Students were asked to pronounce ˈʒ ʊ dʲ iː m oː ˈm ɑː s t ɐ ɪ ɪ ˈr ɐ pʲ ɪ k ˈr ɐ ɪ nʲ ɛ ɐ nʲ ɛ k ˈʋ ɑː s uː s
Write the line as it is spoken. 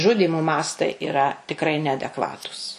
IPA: ˈʒ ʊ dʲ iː m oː ˈm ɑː s t ɐ ɪ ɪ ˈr ɐ tʲ ɪ k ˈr ɐ ɪ nʲ ɛ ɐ dʲ ɛ k ˈʋ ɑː t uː s